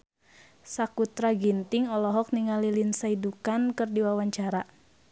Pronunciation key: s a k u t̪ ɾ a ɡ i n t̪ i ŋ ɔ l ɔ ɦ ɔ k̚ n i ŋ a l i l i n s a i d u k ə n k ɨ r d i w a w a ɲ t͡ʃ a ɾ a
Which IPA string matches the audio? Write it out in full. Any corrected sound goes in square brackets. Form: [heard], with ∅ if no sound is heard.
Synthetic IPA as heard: s a k u t̪ ɾ a ɡ i n t̪ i ŋ ɔ l ɔ ɦ ɔ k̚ n i ŋ a l i l i n s a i d u k [a] n k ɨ r d i w a w a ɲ t͡ʃ a ɾ a